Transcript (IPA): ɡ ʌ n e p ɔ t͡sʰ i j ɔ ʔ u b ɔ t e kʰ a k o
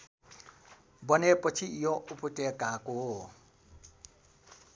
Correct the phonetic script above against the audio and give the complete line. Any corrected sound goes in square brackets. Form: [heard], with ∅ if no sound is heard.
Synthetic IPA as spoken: [b] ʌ n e p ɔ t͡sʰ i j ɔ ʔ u [p] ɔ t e [k] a k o

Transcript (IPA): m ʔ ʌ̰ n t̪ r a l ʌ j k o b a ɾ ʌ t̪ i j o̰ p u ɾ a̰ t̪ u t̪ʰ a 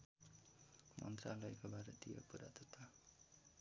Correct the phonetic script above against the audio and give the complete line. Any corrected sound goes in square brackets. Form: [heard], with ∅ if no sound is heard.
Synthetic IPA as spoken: m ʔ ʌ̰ n t̪ r a l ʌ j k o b a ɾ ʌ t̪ i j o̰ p u ɾ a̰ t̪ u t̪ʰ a

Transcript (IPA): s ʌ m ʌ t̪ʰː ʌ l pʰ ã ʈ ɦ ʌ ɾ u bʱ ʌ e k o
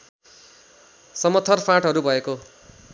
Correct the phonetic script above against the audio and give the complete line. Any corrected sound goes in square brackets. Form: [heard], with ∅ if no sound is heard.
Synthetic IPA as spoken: s ʌ m ʌ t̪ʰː ʌ [r] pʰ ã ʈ ɦ ʌ ɾ u bʱ ʌ e k o

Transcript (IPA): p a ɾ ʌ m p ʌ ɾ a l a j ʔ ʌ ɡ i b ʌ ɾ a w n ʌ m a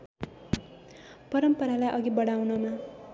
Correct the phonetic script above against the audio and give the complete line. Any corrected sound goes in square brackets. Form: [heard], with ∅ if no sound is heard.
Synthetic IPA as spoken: p [ʌ] ɾ ʌ m p ʌ ɾ a l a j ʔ ʌ ɡ i b ʌ [ɽ] a w n ʌ m a

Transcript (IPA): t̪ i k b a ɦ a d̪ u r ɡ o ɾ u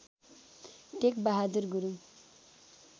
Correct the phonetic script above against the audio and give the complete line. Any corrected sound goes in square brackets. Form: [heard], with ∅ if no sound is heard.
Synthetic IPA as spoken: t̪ [e] k b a ɦ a d̪ u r ɡ [u] ɾ u

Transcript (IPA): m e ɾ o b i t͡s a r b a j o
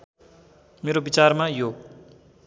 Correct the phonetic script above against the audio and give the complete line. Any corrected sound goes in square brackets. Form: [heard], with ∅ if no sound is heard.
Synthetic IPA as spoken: m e ɾ o b i t͡s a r [m] a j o

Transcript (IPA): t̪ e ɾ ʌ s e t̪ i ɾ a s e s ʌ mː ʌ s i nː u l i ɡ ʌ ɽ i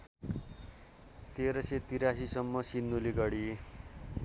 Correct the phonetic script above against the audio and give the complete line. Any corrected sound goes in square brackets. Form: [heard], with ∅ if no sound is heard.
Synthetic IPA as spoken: t̪ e ɾ ʌ s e t̪ i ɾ a s [i] s ʌ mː ʌ s i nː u l i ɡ ʌ ɽ i

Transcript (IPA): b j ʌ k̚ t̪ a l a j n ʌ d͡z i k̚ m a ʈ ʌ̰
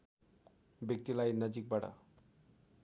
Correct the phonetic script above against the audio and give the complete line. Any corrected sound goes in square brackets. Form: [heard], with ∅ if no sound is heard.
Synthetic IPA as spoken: b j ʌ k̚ t̪ [i] l a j n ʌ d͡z i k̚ [b] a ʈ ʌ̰

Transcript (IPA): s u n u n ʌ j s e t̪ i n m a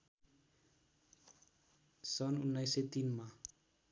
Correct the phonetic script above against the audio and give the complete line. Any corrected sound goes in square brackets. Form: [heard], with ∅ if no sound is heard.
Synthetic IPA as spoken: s [ɔ] n u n [a] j s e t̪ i n m a

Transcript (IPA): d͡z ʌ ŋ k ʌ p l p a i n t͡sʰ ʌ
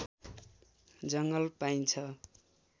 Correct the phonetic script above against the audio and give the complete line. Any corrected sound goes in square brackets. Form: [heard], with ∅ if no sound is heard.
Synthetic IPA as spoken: d͡z ʌ ŋ [ɡ] ʌ [∅] l p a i n t͡sʰ ʌ

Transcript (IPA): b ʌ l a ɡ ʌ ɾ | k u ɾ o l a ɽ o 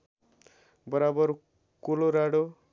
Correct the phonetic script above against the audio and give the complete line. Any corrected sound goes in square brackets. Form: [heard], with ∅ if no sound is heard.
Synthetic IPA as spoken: b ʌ [ɾ] a [b] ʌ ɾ | k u [l] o [ɾ] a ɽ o

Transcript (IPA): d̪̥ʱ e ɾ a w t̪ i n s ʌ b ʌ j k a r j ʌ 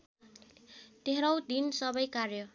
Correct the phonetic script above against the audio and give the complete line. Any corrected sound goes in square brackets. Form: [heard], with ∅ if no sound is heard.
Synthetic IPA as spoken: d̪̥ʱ e ɾ [ʌ] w [d̪] i n s ʌ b ʌ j k a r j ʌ

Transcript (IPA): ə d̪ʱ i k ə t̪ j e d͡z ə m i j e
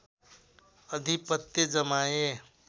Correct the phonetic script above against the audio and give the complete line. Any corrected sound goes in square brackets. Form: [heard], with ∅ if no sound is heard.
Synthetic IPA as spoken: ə d̪ʱ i [p] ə t̪ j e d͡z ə m [a] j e

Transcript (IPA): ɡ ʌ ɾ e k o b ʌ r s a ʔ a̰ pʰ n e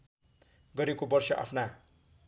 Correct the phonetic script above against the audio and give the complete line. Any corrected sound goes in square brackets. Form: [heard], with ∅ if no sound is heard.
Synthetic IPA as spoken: ɡ ʌ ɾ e k o b ʌ r s [ʌ] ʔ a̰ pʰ n [a]

